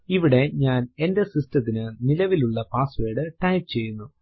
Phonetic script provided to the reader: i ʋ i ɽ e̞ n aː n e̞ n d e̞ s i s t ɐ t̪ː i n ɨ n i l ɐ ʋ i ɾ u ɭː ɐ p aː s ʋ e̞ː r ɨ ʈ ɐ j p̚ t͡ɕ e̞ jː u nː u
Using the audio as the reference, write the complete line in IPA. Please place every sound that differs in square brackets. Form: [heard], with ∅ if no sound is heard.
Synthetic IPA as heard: i ʋ i ɽ e̞ [ɲ] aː n e̞ n d e̞ s i s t ɐ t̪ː i n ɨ n i l ɐ ʋ i [l] u ɭː ɐ p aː s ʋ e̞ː [ɽ] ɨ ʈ ɐ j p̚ t͡ɕ e̞ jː u nː u